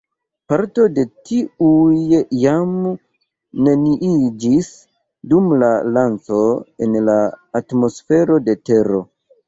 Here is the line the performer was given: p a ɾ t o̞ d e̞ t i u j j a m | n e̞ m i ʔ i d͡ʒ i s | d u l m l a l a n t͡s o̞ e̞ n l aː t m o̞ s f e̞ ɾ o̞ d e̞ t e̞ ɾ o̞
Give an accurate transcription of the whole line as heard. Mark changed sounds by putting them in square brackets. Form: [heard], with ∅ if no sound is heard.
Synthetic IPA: p a ɾ t o̞ d e̞ t i u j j a m | n e̞ [n] i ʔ i d͡ʒ i s | d u [∅] m l a l a n t͡s o̞ e̞ n l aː t m o̞ s f e̞ ɾ o̞ d e̞ t e̞ ɾ o̞